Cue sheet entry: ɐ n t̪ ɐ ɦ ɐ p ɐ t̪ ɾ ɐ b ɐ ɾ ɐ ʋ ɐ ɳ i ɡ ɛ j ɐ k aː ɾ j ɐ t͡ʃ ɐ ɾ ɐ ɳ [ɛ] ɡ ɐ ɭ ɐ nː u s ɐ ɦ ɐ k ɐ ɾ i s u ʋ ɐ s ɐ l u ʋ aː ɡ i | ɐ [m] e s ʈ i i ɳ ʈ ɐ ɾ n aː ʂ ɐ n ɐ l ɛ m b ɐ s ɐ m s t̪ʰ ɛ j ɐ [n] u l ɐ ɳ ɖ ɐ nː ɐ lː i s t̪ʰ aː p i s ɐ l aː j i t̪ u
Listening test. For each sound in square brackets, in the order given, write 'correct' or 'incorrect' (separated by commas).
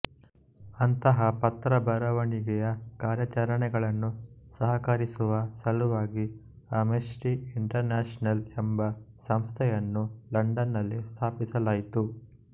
correct, correct, incorrect